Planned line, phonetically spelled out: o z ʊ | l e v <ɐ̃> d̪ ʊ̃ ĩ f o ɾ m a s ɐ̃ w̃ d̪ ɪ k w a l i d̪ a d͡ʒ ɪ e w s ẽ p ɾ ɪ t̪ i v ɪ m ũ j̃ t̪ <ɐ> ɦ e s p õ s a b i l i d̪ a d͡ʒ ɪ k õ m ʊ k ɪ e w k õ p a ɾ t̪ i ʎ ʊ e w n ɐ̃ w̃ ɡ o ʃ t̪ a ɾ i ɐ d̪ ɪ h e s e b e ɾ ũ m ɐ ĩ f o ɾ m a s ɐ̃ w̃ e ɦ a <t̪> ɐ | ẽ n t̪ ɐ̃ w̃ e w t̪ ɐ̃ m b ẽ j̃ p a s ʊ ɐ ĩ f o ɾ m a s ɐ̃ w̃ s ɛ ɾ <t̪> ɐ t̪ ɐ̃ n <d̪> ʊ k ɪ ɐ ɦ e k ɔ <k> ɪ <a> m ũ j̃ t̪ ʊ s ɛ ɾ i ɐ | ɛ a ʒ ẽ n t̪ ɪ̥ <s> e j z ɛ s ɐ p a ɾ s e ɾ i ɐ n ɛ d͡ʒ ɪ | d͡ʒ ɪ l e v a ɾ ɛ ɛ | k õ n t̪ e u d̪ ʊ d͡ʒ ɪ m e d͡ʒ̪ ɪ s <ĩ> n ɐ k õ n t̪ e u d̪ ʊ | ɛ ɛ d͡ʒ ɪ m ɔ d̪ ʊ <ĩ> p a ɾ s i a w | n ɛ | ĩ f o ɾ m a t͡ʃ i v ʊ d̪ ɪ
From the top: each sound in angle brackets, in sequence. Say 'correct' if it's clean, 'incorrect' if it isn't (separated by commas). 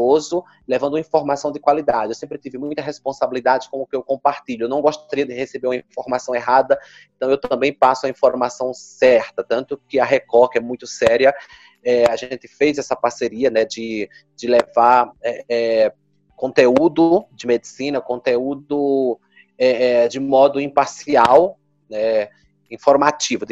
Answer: correct, correct, incorrect, correct, incorrect, correct, incorrect, incorrect, correct, correct